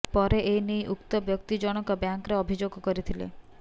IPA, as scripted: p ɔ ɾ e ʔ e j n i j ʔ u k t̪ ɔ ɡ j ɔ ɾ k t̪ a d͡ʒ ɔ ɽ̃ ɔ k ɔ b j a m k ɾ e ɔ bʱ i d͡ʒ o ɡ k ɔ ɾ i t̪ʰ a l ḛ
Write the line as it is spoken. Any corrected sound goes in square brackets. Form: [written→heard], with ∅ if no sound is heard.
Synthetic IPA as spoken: p ɔ ɾ e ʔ e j n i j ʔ u k t̪ ɔ [ɡ→b] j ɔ [ɾ→∅] k t̪ [a→i] d͡ʒ ɔ ɽ̃ ɔ k ɔ b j a [m→ŋ] k ɾ e ɔ bʱ i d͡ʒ o ɡ k ɔ ɾ i t̪ʰ [a→i] l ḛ